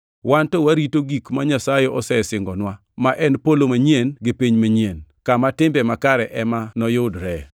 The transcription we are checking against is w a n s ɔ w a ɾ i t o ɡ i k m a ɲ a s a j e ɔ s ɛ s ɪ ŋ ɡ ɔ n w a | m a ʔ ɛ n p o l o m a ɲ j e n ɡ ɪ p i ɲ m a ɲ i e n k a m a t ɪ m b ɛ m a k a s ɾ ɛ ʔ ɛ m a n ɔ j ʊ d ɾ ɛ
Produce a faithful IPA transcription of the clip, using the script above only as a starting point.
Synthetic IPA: w a n t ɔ w a ɾ i t o ɡ i k m a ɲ a s a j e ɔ s ɛ s ɪ ŋ ɡ ɔ n w a | m a ʔ ɛ n p o l o m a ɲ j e n ɡ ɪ p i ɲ m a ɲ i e n k a m a t ɪ m b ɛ m a k a ɾ ɛ ʔ ɛ m a n ɔ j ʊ d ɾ ɛ